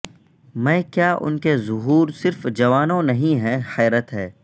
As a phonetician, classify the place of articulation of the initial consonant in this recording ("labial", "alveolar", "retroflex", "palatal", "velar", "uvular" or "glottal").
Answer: labial